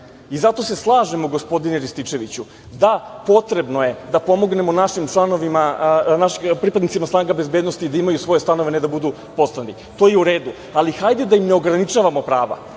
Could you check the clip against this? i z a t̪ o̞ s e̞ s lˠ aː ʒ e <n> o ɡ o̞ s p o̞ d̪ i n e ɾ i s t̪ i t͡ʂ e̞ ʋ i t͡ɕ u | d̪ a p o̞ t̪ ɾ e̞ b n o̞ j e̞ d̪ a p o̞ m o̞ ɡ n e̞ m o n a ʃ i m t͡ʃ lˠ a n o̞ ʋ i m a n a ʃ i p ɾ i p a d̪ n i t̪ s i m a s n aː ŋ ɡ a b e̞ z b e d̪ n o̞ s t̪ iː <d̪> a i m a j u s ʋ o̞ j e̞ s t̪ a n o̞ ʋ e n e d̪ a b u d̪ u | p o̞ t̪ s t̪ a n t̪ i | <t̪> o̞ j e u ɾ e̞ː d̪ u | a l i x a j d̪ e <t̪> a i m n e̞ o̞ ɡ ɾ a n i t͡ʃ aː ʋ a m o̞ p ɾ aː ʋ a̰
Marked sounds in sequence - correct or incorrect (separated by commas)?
incorrect, correct, correct, incorrect